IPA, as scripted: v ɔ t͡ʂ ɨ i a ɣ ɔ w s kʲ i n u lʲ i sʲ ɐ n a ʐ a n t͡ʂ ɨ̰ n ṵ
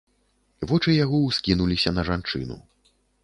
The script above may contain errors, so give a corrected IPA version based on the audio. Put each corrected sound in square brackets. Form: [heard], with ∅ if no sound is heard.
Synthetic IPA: v ɔ t͡ʂ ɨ [j] a ɣ ɔ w s kʲ i n u lʲ i sʲ ɐ n [ɐ] ʐ a n t͡ʂ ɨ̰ n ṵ